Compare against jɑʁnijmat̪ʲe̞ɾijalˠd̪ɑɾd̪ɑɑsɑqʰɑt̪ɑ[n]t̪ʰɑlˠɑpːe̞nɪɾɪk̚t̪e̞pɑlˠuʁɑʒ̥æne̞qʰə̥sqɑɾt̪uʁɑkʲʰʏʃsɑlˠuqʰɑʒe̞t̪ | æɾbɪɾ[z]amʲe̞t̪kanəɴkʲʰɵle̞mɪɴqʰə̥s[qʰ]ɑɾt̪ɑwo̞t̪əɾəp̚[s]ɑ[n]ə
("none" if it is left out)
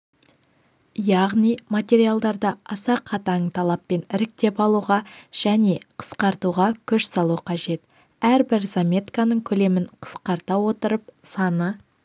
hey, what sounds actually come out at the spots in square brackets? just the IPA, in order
ɴ, z, q, s, n

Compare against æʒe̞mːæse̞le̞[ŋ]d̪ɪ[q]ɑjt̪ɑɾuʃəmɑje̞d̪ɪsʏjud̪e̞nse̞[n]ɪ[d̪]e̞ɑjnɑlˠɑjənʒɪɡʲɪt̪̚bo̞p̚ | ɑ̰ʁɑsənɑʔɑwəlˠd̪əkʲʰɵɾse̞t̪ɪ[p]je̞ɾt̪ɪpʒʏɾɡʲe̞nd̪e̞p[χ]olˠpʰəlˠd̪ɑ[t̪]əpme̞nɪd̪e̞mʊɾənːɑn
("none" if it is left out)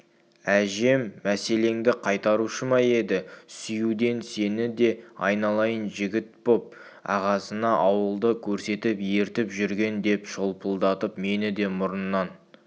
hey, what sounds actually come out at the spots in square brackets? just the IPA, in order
ŋ, qʰ, n, d̪, p, ʃ, t̪

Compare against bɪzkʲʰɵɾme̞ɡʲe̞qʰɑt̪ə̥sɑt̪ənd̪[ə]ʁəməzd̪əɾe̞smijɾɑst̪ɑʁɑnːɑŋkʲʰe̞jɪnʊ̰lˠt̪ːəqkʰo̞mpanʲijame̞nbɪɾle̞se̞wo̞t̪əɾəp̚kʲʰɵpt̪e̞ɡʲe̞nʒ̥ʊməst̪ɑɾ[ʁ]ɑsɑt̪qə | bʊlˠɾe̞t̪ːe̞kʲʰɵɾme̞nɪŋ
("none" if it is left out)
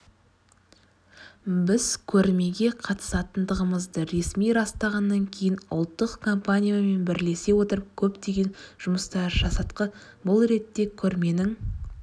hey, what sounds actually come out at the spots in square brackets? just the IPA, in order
ə, ʒ

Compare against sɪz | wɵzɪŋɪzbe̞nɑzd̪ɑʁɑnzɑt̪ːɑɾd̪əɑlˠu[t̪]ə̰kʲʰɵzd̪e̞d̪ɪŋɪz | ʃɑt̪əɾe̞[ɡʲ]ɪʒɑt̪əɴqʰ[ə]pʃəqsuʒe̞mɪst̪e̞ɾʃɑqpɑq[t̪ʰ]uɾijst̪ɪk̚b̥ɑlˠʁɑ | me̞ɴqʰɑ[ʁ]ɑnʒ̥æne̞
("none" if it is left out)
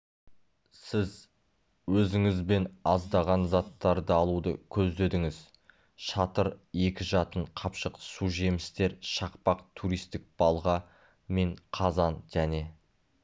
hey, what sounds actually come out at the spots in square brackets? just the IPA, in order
d̪, kʲ, ɑ, t̪ʰ, z

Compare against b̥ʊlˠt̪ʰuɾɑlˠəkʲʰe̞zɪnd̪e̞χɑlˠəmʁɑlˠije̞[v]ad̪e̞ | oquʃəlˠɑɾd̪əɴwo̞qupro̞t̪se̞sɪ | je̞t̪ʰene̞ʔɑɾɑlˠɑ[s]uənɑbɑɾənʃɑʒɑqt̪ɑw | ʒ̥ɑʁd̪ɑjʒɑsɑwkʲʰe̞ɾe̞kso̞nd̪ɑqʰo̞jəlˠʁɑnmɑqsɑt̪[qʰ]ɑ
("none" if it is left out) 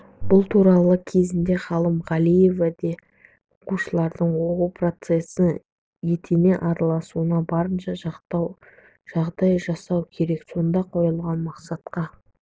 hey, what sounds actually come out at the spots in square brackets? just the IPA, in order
v, s, q

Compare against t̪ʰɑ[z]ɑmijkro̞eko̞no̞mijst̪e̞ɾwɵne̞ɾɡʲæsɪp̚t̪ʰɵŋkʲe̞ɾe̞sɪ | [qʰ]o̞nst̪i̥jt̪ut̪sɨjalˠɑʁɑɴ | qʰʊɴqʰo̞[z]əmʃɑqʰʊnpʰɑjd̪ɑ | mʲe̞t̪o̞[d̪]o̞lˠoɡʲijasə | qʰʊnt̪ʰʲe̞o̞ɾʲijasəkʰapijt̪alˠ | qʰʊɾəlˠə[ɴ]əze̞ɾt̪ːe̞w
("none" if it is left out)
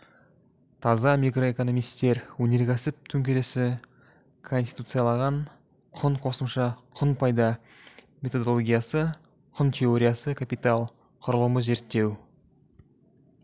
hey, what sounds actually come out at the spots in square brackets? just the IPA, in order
z, kʰ, s, d̪, m

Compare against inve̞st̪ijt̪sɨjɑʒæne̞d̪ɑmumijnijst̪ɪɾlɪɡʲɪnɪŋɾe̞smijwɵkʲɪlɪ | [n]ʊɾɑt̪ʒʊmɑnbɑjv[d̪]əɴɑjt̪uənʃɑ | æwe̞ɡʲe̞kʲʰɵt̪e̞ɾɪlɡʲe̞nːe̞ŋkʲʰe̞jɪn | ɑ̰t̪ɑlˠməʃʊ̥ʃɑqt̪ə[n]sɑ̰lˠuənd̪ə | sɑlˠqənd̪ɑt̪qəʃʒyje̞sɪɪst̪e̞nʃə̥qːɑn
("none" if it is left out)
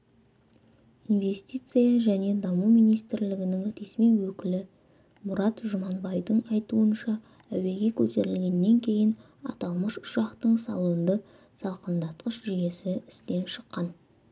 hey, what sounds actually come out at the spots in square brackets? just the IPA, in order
m, d̪, ɴ

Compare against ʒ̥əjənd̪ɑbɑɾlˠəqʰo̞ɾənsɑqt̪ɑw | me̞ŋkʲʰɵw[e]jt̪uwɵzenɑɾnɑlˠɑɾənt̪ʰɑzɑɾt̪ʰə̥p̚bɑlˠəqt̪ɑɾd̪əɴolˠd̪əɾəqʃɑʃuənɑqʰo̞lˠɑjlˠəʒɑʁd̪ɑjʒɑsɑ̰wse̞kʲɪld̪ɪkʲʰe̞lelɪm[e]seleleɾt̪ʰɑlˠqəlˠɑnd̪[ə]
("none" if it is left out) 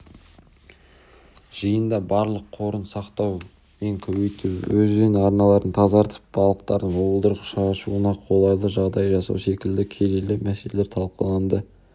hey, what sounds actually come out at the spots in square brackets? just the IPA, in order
e, æ, ə

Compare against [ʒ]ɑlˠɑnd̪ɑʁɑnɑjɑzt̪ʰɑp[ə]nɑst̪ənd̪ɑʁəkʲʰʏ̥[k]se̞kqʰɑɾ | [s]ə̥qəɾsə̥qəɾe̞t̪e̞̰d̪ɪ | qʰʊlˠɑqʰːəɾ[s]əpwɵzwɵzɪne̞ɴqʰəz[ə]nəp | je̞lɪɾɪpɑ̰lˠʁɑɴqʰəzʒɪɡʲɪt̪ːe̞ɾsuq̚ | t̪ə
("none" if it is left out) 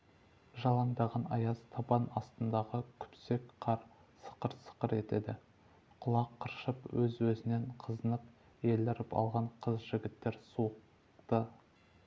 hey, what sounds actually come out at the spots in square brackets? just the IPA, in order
ʒ, ɑ, p, s, ʃ, ə

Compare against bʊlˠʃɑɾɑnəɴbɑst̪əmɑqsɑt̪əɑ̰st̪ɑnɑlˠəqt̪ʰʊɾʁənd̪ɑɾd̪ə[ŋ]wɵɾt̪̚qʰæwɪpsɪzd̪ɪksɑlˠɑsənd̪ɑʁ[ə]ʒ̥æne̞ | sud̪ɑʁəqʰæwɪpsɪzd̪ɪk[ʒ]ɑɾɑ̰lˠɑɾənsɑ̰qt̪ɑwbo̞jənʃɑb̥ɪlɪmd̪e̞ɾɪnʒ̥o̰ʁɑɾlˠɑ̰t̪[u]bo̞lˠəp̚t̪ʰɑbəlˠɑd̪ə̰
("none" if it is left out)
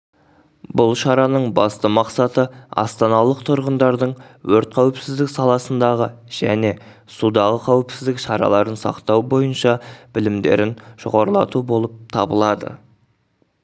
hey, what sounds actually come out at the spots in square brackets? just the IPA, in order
ɴ, ə, ʃ, u

